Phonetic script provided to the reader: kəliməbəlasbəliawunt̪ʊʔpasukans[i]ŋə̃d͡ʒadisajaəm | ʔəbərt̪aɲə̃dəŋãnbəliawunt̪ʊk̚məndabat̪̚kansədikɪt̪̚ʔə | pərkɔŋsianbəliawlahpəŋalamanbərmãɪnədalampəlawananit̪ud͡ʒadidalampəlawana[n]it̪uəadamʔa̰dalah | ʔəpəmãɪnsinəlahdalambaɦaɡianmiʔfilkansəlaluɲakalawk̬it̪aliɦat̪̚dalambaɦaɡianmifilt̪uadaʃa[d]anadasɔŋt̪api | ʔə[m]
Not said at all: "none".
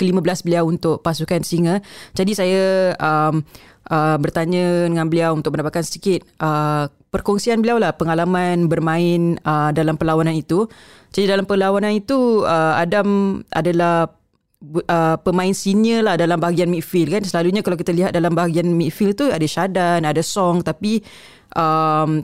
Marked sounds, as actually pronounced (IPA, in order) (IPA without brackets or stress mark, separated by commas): i, n, d, m